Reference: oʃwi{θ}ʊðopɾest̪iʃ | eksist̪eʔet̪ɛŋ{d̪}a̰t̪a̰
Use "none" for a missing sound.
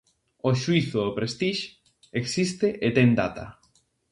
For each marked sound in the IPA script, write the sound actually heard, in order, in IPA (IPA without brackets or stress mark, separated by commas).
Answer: θ, d̪